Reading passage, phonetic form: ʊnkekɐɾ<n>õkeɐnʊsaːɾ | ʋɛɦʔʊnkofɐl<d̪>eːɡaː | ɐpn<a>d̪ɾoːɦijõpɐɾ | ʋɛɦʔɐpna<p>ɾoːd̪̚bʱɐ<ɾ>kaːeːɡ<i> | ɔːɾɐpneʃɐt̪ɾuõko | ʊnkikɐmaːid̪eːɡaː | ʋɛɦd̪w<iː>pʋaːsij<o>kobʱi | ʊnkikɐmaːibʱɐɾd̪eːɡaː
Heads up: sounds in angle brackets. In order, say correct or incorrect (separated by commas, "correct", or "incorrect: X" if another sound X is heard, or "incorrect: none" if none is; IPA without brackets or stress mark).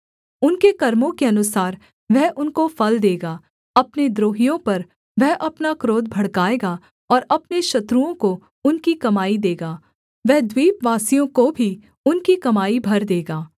incorrect: m, correct, incorrect: e, incorrect: k, incorrect: ɽ, incorrect: a, correct, incorrect: õ